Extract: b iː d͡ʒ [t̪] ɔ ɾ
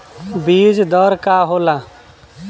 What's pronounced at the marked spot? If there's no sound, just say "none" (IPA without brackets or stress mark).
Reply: d̪